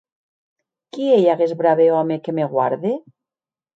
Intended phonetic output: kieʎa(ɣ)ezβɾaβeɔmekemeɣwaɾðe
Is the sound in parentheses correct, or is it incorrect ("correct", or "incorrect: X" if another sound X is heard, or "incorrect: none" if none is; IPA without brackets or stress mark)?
correct